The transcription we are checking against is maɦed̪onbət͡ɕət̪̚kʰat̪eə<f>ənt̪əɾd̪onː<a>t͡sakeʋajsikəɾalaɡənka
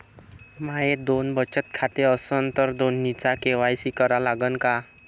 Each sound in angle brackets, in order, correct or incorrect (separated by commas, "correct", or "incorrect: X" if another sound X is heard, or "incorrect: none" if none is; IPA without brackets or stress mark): incorrect: s, incorrect: i